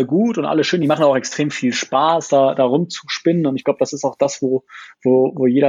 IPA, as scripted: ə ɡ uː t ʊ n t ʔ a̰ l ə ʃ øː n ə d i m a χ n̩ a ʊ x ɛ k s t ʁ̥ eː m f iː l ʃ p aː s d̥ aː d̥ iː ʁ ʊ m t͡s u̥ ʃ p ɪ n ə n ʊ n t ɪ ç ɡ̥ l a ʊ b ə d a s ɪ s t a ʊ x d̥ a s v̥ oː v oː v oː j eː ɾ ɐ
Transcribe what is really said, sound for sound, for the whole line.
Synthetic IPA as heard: ə ɡ uː t ʊ n t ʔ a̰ l ə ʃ øː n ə d i m a χ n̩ a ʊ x ɛ k s t ʁ̥ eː m f iː l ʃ p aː s d̥ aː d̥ aː ʁ ʊ m t͡s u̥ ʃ p ɪ n ə n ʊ n t ɪ ç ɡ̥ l a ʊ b ə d a s ɪ s t a ʊ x d̥ a s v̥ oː v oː v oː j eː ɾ ɐ